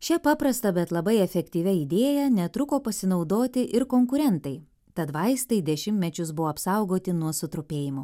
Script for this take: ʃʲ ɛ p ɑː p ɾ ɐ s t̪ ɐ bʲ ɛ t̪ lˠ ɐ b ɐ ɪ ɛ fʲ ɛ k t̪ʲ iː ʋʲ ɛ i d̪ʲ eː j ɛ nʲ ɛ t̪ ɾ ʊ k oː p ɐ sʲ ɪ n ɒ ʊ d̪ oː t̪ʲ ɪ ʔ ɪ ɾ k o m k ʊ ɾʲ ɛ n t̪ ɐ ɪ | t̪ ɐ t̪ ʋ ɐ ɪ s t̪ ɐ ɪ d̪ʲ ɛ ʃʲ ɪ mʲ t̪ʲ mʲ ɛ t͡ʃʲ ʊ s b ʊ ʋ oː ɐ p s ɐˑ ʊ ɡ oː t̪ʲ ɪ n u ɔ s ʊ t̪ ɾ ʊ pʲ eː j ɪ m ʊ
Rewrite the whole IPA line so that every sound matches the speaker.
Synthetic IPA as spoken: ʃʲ ɛ p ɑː p ɾ ɐ s t̪ ɐ bʲ ɛ t̪ lˠ ɐ b ɐ ɪ ɛ fʲ ɛ k t̪ʲ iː ʋʲ ɛ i d̪ʲ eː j ɛ nʲ ɛ t̪ ɾ ʊ k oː p ɐ sʲ ɪ n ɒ ʊ d̪ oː t̪ʲ ɪ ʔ ɪ ɾ k o ŋ k ʊ ɾʲ ɛ n t̪ ɐ ɪ | t̪ ɐ t̪ ʋ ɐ ɪ s t̪ ɐ ɪ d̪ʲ ɛ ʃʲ ɪ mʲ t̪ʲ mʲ ɛ t͡ʃʲ ʊ s b ʊ ʋ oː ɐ p s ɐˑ ʊ ɡ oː t̪ʲ ɪ n u ɔ s ʊ t̪ ɾ ʊ pʲ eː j ɪ m ʊ